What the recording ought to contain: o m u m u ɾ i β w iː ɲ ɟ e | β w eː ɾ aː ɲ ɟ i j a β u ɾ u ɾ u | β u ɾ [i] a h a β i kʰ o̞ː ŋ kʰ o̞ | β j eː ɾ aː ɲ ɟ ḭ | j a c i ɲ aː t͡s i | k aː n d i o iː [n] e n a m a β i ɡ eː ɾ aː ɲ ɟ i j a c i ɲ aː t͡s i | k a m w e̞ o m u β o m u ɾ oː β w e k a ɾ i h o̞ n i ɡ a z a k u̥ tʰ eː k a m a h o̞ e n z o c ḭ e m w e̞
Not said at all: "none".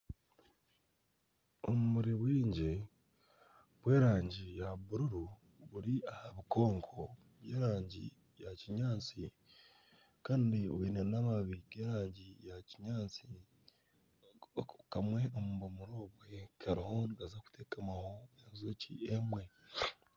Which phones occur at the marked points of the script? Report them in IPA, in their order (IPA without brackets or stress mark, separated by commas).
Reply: i, n